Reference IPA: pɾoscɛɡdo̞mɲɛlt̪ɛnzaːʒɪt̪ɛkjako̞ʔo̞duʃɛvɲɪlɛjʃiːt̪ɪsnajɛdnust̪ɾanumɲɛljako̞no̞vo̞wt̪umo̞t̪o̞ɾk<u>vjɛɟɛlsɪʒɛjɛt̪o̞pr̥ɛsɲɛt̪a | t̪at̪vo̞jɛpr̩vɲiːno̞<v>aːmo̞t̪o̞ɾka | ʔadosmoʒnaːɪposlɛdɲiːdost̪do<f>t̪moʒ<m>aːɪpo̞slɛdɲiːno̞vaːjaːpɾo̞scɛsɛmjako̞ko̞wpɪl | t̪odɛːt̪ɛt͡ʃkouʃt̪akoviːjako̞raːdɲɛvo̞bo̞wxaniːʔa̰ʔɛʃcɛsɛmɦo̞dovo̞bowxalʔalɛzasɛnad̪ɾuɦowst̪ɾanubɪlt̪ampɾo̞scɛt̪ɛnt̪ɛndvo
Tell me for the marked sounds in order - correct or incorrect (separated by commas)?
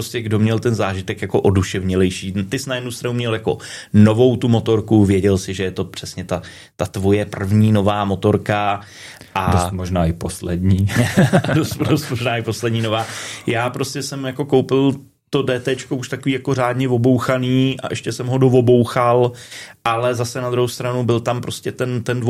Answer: correct, correct, incorrect, incorrect